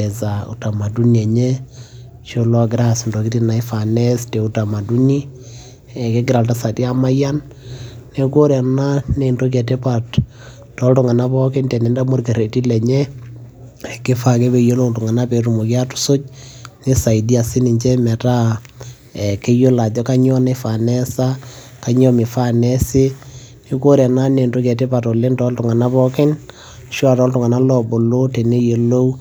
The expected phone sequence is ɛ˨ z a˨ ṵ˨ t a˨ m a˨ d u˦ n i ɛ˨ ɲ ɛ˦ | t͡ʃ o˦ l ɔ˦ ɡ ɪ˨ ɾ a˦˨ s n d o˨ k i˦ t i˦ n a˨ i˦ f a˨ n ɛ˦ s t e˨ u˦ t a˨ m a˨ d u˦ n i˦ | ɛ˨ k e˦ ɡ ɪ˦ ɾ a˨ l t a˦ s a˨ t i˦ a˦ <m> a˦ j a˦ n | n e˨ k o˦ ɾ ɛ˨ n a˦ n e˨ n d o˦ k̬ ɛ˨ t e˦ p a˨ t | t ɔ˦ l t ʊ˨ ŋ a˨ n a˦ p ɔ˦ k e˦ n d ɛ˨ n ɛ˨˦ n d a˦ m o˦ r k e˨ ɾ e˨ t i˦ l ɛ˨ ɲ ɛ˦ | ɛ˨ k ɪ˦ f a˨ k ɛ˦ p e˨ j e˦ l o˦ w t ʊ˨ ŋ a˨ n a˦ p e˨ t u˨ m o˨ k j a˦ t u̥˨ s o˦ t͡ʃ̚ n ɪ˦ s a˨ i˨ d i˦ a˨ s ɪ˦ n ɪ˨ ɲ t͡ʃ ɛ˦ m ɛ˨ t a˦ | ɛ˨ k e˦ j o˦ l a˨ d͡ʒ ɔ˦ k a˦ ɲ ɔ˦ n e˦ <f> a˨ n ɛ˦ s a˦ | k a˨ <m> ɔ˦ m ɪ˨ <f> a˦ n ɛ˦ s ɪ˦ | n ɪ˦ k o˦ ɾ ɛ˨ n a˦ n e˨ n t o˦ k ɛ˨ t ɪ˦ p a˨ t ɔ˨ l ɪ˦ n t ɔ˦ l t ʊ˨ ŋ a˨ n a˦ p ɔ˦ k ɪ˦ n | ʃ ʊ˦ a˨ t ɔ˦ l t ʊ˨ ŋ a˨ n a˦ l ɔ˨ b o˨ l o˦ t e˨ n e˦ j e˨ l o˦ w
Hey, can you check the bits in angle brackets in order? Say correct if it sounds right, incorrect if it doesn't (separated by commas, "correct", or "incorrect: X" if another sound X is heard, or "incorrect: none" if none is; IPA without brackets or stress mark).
correct, correct, incorrect: ɲ, correct